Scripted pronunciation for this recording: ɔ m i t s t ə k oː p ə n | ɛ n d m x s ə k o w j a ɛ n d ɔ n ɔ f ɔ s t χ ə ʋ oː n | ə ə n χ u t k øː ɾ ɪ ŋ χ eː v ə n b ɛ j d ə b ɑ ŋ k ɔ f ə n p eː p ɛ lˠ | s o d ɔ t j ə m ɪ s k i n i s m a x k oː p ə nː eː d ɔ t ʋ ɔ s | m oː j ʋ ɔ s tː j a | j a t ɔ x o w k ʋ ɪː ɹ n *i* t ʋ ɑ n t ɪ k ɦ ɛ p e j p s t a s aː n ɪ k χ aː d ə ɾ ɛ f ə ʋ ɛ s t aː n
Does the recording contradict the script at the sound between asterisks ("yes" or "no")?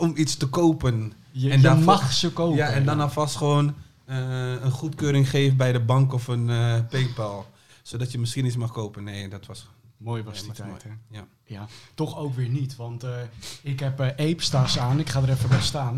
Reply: no